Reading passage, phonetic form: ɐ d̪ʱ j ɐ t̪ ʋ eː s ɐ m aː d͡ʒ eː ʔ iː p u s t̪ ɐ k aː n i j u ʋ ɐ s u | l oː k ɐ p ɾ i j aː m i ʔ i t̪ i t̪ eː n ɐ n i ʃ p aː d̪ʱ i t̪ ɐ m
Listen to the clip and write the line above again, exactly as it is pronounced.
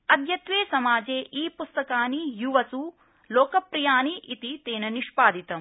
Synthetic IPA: ɐ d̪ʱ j ɐ t̪ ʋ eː s ɐ m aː d͡ʒ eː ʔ iː p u s t̪ ɐ k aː n i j u ʋ ɐ s u | l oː k ɐ p ɾ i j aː n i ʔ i t̪ i t̪ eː n ɐ n i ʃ p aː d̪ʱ i t̪ ɐ m